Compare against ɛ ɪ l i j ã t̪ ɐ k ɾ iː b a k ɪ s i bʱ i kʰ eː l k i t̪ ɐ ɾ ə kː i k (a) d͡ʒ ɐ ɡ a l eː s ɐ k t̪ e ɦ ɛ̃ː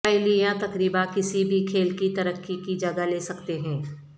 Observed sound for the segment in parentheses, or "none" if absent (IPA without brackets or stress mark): i